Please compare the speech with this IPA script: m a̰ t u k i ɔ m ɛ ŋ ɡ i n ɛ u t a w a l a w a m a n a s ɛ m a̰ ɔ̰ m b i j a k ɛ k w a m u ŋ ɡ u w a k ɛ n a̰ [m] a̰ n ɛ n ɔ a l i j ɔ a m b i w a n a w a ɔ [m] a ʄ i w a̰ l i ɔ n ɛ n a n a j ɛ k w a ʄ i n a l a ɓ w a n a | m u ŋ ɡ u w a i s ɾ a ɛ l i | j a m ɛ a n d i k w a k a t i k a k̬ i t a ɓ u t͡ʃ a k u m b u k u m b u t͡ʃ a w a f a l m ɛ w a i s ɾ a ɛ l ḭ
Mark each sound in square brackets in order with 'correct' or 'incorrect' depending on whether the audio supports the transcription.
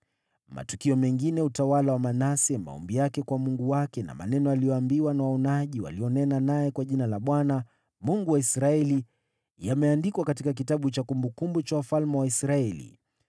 correct, incorrect

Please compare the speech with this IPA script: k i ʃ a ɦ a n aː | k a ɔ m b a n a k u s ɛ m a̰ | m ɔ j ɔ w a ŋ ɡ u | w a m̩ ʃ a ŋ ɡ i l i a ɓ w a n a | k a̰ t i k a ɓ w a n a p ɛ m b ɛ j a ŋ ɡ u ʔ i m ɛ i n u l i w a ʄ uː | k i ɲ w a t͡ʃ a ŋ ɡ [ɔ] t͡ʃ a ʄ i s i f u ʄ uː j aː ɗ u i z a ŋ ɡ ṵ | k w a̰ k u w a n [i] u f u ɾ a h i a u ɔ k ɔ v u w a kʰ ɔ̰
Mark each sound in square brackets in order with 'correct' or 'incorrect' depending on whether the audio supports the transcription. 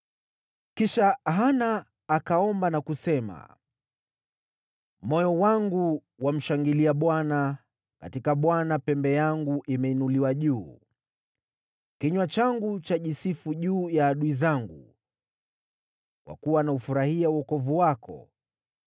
incorrect, incorrect

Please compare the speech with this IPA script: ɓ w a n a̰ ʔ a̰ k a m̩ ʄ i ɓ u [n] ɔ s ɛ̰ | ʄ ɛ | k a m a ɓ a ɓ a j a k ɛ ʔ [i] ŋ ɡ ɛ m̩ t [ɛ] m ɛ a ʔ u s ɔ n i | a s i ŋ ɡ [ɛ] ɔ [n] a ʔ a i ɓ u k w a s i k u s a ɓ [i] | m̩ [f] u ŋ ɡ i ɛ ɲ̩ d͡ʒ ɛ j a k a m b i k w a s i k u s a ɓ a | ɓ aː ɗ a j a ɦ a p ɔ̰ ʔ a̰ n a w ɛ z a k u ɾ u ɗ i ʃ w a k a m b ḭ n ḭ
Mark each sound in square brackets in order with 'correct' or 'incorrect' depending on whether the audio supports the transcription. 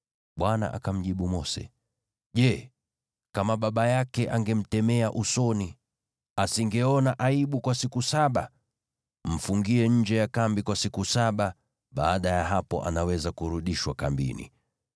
incorrect, incorrect, correct, correct, correct, incorrect, correct

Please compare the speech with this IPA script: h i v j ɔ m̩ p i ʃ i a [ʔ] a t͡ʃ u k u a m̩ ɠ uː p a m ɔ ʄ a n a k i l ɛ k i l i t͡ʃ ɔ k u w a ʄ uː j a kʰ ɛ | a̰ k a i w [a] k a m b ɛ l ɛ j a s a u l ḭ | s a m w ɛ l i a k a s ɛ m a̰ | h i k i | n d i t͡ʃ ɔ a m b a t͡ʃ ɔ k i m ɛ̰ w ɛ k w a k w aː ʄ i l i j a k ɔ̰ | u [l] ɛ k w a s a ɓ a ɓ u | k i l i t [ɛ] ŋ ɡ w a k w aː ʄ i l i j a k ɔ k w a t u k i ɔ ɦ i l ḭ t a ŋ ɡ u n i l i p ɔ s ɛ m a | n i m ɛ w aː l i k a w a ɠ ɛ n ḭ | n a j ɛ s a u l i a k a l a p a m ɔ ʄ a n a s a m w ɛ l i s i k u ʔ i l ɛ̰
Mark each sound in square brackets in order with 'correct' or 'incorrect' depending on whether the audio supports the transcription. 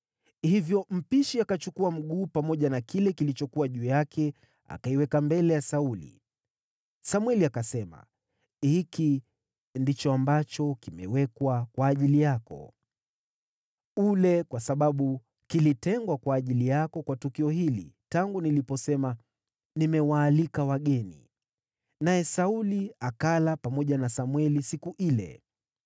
incorrect, incorrect, correct, correct

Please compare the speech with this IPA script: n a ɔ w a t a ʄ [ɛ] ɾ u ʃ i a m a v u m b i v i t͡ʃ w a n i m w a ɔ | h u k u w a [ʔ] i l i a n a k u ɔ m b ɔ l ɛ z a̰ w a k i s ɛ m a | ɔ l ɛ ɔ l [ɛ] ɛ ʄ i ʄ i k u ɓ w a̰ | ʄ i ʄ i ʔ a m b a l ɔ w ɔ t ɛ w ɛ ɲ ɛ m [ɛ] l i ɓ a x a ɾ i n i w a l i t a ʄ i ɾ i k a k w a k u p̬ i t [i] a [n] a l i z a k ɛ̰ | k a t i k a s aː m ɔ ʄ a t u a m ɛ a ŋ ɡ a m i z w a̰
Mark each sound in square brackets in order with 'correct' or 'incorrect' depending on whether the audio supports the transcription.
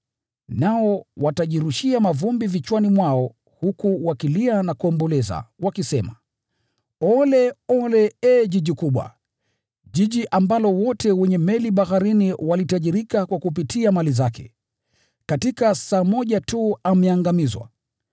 incorrect, incorrect, correct, correct, correct, incorrect

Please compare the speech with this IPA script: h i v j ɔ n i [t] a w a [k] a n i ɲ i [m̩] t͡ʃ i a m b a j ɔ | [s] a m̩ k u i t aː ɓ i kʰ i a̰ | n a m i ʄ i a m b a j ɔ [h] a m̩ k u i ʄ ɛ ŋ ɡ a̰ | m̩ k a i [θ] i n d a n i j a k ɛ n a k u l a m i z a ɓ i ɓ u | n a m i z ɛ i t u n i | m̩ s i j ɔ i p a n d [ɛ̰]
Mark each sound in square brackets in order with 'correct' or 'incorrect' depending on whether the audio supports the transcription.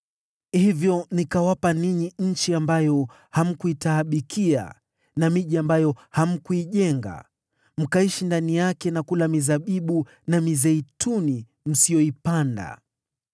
incorrect, incorrect, incorrect, incorrect, correct, incorrect, incorrect

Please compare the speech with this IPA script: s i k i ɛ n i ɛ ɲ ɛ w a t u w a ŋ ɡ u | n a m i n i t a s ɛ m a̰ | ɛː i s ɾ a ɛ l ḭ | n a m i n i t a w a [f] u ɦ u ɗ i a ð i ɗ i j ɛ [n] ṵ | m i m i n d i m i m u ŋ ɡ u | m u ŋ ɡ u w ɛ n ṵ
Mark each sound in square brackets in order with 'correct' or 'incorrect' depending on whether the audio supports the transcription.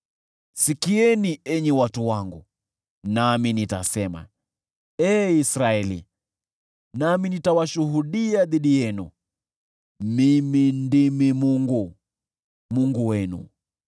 incorrect, correct

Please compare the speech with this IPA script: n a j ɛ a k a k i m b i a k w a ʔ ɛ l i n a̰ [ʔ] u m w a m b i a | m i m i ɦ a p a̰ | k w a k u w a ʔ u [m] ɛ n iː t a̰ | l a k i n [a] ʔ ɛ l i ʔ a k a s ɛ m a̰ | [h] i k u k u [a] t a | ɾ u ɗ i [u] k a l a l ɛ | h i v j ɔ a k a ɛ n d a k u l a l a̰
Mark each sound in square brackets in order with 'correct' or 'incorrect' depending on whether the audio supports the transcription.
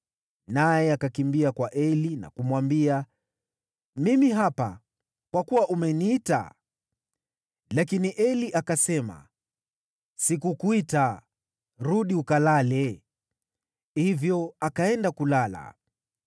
incorrect, correct, incorrect, incorrect, incorrect, correct

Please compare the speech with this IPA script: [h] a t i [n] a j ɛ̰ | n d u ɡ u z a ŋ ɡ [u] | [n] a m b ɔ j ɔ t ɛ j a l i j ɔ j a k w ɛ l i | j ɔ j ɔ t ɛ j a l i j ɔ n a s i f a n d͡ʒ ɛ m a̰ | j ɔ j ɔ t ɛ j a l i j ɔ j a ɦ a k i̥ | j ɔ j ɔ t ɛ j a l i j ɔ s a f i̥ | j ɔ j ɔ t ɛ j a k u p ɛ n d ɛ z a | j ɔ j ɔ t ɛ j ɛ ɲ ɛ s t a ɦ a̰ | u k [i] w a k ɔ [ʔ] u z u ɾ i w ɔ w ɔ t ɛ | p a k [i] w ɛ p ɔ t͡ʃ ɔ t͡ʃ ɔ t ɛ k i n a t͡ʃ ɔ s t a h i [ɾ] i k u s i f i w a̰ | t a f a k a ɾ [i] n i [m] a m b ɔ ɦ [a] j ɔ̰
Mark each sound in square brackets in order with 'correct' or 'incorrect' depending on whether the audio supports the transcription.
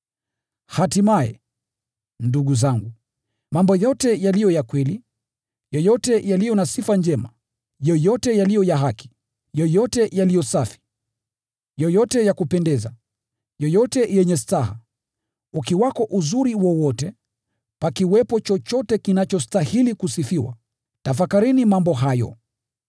correct, incorrect, correct, incorrect, correct, correct, correct, incorrect, correct, correct, correct

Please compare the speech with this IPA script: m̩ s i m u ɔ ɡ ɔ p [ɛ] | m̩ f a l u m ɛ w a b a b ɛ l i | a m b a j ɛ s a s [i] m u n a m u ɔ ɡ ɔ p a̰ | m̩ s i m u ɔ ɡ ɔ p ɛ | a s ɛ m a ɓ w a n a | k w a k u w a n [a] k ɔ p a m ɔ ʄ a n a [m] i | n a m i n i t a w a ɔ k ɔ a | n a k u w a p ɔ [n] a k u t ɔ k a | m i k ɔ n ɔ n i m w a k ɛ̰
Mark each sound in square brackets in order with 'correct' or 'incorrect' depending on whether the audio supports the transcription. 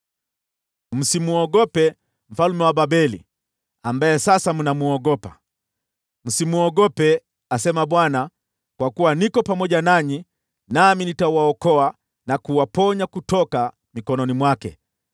correct, incorrect, incorrect, incorrect, incorrect

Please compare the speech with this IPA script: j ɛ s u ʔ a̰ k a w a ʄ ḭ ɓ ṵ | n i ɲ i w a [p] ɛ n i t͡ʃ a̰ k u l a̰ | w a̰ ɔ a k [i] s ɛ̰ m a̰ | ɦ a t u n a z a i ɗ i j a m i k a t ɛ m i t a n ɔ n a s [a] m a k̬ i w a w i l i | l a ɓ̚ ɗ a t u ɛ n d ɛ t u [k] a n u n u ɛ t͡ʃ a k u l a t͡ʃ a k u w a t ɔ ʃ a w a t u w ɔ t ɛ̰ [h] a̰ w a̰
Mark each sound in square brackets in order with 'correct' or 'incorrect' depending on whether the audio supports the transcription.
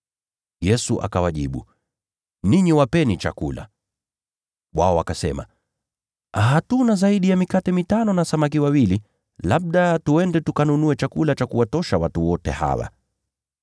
correct, incorrect, correct, correct, correct

